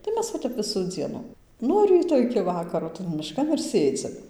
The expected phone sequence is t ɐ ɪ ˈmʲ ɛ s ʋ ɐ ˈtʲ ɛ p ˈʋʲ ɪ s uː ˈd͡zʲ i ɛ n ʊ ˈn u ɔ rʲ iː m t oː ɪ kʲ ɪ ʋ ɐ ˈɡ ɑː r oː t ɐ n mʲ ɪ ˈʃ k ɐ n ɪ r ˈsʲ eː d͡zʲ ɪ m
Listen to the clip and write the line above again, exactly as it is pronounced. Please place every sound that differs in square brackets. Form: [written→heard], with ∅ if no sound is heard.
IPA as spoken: t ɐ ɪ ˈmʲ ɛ s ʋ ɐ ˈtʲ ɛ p ˈʋʲ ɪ s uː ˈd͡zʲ i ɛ n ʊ ˈn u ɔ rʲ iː [m→∅] t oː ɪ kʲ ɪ ʋ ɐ [ˈɡ→ˈk] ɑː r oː t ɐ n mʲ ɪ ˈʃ k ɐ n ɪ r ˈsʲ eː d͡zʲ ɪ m